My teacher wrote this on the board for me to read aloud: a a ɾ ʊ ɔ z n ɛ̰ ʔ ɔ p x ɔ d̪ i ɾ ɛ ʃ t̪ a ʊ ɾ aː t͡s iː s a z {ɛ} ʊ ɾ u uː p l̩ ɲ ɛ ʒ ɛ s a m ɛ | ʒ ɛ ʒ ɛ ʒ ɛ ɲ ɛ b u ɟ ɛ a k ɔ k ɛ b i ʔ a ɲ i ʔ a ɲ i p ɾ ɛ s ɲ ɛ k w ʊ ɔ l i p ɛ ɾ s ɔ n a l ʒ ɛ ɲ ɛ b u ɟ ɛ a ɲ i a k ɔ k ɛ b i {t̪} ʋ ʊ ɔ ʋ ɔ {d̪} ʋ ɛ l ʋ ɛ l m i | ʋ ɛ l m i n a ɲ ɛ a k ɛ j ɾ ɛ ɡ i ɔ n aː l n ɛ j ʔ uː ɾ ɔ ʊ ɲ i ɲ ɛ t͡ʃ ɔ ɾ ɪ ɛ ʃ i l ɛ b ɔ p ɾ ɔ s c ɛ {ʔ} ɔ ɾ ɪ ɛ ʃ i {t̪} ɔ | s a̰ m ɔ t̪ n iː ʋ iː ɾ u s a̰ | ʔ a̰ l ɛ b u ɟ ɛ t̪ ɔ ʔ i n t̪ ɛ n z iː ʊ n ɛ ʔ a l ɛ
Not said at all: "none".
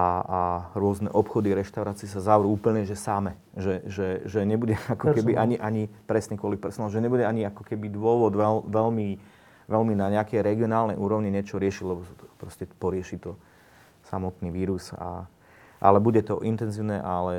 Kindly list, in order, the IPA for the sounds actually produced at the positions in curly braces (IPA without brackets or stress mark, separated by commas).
a, d̪, d̪, p, t̪